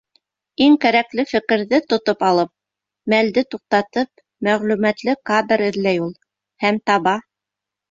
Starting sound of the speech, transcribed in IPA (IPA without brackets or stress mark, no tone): i